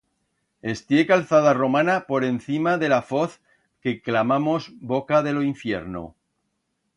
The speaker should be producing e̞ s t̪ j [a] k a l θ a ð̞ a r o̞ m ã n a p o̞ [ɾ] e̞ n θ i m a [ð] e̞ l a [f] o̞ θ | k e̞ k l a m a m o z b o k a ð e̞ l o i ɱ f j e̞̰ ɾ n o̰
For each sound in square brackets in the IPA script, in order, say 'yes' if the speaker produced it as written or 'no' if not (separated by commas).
no, yes, yes, yes